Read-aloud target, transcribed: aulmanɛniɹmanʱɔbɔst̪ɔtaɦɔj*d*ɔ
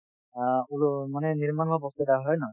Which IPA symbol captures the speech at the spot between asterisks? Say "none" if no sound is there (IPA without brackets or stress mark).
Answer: n